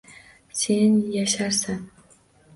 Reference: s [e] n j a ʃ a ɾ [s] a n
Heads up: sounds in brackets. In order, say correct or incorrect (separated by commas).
correct, correct